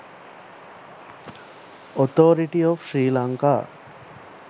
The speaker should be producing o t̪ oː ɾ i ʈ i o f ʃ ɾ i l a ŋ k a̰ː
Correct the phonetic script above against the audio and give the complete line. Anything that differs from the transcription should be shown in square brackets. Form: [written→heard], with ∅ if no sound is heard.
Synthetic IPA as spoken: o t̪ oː ɾ i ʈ i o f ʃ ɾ [i→iː] l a ŋ k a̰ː